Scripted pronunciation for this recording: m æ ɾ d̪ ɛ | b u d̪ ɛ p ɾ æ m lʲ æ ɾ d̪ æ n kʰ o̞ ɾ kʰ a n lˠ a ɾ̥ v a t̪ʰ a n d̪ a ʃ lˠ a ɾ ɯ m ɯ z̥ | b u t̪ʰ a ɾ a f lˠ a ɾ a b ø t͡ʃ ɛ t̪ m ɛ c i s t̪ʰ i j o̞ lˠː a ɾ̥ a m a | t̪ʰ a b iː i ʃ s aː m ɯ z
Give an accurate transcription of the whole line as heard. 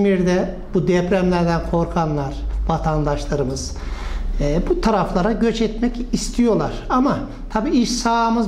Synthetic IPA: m i ɾ d̪ ɛ | b u d̪ ɛ p ɾ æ m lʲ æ ɾ d̪ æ n kʰ o̞ ɾ kʰ a n lˠ a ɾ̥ v a t̪ʰ a n d̪ a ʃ lˠ a ɾ ɯ m ɯ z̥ | b u t̪ʰ a ɾ a f lˠ a ɾ a ɟ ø t͡ʃ ɛ t̪ m ɛ c i s t̪ʰ i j o̞ lˠ a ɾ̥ a m a | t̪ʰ a b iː i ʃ s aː m ɯ z